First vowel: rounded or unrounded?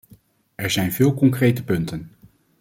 unrounded